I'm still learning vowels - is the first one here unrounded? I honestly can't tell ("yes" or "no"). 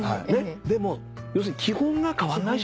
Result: yes